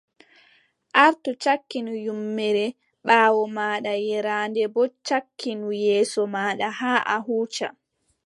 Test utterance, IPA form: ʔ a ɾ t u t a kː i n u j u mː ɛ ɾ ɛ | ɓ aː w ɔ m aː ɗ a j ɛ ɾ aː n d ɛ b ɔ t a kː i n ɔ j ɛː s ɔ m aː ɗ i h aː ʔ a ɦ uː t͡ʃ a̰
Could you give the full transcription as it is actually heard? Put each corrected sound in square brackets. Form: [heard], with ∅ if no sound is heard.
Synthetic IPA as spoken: ʔ a ɾ t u [t͡ʃ] a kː i n u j u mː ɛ ɾ ɛ | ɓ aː w ɔ m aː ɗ a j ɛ ɾ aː n d ɛ b ɔ [t͡ʃ] a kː i n [u] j ɛː s ɔ m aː ɗ [a] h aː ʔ a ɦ uː t͡ʃ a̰